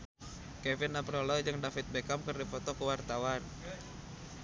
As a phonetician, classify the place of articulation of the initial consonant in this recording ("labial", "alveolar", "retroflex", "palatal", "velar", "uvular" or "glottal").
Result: velar